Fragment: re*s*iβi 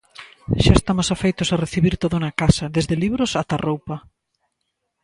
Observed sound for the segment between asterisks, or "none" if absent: θ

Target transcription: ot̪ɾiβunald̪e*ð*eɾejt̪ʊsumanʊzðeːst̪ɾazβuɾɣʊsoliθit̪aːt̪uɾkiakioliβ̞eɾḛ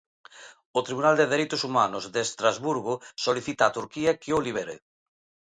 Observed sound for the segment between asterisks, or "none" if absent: ð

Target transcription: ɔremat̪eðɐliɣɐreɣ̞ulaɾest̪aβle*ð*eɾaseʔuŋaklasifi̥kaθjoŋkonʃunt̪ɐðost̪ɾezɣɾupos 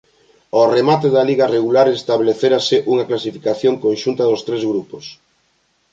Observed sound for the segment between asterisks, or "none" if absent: θ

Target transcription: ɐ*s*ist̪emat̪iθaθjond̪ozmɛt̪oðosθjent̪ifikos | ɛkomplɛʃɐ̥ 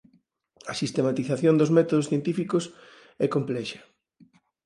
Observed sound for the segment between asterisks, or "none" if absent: s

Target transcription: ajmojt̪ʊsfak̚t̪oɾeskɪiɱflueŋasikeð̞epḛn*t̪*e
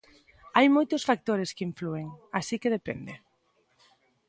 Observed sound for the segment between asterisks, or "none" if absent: d̪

